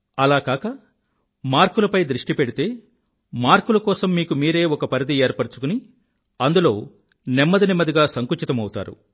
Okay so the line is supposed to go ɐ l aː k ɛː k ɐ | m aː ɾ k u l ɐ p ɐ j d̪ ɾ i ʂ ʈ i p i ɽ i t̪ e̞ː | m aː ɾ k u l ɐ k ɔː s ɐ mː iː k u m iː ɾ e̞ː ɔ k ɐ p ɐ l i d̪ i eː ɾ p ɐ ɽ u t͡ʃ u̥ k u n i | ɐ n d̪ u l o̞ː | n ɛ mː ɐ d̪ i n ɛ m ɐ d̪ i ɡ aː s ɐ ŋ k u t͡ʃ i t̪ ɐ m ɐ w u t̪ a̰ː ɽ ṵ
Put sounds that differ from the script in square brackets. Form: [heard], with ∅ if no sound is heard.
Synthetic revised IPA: ɐ l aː k [aː] k ɐ | m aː ɾ k u l ɐ p ɐ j d̪ ɾ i ʂ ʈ i p [e] ɽ i t̪ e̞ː | m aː ɾ k u l ɐ k ɔː s ɐ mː iː k u m iː ɾ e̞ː ɔ k ɐ p ɐ [ɾ] i d̪ i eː ɾ p ɐ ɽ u t͡ʃ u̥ k u n i | ɐ n d̪ u l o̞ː | n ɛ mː ɐ d̪ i n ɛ m ɐ d̪ i ɡ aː s ɐ ŋ k u t͡ʃ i t̪ ɐ m ɐ w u t̪ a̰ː [ɾ] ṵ